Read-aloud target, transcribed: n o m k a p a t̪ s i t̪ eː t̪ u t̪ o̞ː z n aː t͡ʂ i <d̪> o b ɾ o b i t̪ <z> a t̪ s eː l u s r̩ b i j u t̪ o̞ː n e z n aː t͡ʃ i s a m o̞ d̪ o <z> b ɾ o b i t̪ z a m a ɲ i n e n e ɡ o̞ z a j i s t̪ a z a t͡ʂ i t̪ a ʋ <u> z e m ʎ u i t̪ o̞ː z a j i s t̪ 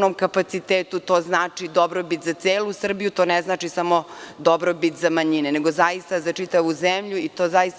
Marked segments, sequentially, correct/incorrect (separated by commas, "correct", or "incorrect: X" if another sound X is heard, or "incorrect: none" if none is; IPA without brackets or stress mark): correct, correct, incorrect: none, correct